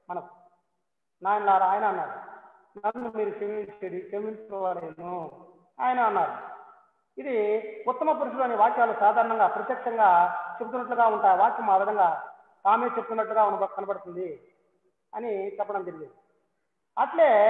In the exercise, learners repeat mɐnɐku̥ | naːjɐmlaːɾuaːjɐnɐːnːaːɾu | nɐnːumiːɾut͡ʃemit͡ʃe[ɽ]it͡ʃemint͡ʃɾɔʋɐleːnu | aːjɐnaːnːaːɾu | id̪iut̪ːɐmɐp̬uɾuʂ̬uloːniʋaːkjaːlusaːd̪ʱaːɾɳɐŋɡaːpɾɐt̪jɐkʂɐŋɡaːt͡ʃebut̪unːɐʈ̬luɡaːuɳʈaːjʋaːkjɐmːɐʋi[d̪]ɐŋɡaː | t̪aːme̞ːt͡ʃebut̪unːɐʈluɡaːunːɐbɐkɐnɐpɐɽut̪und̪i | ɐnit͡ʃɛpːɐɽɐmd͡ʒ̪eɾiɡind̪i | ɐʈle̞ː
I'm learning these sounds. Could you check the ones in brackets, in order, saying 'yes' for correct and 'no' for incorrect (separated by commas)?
yes, yes